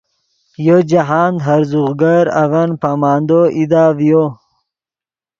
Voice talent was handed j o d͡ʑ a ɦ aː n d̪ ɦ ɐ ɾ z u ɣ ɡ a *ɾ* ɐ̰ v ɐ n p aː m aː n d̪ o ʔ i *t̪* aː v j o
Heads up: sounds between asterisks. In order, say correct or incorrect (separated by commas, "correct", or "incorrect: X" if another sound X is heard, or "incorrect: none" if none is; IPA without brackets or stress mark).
correct, incorrect: d̪